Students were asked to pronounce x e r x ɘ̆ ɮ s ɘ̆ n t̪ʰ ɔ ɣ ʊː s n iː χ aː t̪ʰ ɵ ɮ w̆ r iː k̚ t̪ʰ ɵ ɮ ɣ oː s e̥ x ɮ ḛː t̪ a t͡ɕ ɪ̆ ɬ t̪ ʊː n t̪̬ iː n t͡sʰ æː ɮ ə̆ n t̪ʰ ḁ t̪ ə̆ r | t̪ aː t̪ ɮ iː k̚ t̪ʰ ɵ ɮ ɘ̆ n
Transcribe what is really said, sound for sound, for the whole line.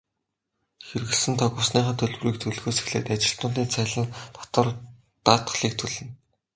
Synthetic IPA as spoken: x e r ɣ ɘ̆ ɮ s ɘ̆ n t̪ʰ ɔ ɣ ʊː s n iː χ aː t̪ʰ ɵ ɮ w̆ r iː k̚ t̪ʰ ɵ ɮ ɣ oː s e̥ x ɮ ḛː t̪ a t͡ɕ ɪ̆ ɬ t̪ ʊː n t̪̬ iː n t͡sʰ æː ɮ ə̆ n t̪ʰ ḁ t̪ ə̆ r | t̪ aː t̪ ɮ iː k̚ t̪ʰ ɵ ɮ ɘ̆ n

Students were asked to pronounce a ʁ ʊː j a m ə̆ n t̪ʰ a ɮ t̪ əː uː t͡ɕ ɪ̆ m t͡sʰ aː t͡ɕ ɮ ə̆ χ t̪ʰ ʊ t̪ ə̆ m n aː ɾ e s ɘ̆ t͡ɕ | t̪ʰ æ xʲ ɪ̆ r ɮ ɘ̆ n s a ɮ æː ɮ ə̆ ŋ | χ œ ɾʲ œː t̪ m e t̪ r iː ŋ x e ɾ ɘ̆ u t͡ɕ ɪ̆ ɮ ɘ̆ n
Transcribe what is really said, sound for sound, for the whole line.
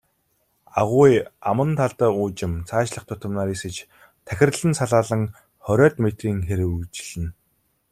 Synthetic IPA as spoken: a ʁ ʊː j a m ə̆ n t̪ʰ a ɮ t̪ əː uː t͡ɕ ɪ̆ m t͡sʰ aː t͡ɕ ɮ ə̆ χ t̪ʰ ʊ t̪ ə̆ m n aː ɾ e s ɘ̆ t͡ɕ | t̪ʰ æ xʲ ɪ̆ r ɮ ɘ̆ n s a ɮ aː ɮ ə̆ ŋ | χ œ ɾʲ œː t̪ m e t̪ r iː ŋ x e ɾ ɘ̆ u t͡ɕ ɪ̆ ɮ ɘ̆ n

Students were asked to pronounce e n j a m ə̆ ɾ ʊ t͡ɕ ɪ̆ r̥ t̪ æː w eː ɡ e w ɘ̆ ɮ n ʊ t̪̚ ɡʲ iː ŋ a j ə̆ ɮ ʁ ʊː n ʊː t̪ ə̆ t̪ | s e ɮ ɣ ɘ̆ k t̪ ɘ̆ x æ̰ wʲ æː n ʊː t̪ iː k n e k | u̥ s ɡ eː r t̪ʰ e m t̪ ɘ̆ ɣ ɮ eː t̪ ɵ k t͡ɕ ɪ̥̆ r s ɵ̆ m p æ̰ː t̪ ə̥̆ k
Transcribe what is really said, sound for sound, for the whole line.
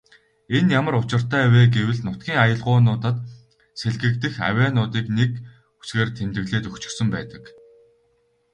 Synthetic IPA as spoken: e n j a m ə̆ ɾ ʊ t͡ɕ ɪ̆ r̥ t̪ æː w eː ɡ e w ɘ̆ ɮ n ʊ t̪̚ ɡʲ iː ŋ a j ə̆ ɮ ʁ ʊː n ʊː t̪ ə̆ t̪ | s e ɮ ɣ ɘ̆ k t̪ ɘ̆ x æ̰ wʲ æː n ʊː t̪ iː k n e k | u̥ s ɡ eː r t̪ʰ e m t̪ ɘ̆ ɣ ɮ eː t̪ ɵ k t͡ɕ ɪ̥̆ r s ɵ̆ m p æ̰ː t̪ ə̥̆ k

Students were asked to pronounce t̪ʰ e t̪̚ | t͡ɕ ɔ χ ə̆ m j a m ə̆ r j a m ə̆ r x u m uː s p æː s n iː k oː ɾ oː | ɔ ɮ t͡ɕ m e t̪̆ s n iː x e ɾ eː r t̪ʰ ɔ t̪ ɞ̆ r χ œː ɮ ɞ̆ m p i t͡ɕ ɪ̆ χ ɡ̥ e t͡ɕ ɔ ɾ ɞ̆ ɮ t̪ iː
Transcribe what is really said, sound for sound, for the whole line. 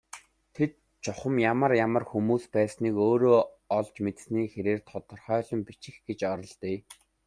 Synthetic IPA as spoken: t̪ʰ e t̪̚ | t͡ɕ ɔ χ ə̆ m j a m ə̆ r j a m ə̆ r x u m uː s p æː s n iː k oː ɾ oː | ɔ ɮ t͡ɕ m e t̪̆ s n iː x e ɾ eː r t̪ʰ ɔ t̪ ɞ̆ r χ œː ɮ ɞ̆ m p i t͡ɕ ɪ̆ x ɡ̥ e t͡ɕ ɔ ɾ ɞ̆ ɮ t̪ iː

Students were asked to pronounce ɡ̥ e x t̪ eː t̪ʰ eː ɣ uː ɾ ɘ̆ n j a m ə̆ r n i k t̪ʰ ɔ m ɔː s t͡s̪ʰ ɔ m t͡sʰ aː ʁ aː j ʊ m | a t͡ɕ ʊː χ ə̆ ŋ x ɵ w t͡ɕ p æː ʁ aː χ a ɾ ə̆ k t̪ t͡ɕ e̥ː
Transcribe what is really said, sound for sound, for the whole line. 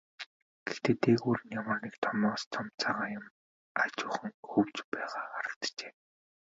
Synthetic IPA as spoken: ɡ̥ e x t̪ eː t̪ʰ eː ɣ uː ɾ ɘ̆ n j a m ə̆ r n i k t̪ʰ ɔ m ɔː s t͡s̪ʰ ɔ m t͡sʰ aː ʁ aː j ʊ m | a t͡ɕ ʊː χ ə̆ ŋ x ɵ w t͡ɕ p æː ʁ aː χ a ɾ ə̆ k t̪ t͡ɕ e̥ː

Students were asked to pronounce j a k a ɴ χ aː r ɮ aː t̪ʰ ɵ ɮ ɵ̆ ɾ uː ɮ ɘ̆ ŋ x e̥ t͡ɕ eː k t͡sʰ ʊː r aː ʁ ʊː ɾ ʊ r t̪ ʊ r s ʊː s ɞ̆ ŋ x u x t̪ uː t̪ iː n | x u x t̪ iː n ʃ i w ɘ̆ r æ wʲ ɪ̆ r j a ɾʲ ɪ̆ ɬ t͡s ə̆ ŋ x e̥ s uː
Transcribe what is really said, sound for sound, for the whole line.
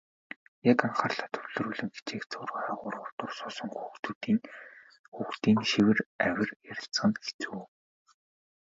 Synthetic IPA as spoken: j a k a ɴ χ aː r ɮ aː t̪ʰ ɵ ɮ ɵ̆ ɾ uː ɮ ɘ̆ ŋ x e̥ t͡ɕ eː k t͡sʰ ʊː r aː ʁ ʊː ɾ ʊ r t̪ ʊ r s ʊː s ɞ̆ ŋ x u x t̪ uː t̪ iː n | x u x t̪ iː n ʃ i w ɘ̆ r æ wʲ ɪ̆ r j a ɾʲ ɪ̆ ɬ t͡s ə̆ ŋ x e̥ t͡s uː

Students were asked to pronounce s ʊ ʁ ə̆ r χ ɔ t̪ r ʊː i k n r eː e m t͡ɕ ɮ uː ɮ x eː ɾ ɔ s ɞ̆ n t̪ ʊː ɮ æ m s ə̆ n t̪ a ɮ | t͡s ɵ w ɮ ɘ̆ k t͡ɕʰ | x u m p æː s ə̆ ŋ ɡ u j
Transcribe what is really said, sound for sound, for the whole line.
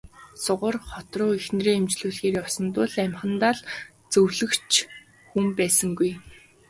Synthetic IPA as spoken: s ʊ ʁ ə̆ r χ ɔ t̪ r ʊː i x n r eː e m t͡ɕ ɮ uː ɮ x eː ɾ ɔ s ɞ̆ n t̪ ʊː ɮ æ m χ ə̆ n t̪ a ɮ | t͡s ɵ w ɮ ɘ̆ k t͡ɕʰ | x u m p æː s ə̆ ŋ ɡ u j

